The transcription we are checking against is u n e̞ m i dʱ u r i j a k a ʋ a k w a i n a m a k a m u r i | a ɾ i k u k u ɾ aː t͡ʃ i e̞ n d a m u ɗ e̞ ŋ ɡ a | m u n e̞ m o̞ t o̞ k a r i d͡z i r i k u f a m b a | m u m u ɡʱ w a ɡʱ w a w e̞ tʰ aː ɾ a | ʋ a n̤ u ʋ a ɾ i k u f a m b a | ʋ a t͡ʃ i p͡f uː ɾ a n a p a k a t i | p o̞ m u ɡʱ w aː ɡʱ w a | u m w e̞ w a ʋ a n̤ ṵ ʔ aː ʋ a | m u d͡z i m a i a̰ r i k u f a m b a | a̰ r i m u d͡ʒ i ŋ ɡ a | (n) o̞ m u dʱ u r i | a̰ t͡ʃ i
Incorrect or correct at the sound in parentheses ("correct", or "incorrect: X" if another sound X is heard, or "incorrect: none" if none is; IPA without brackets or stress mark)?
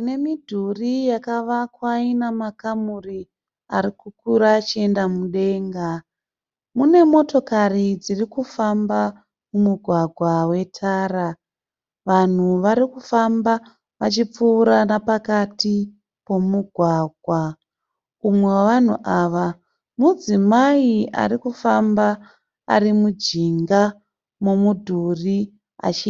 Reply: incorrect: m